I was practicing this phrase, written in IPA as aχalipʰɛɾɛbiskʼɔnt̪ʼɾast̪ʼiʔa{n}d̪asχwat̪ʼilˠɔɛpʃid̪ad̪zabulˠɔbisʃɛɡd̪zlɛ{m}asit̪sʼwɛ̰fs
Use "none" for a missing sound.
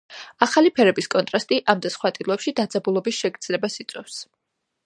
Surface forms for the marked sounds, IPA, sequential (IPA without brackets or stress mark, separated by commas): m, b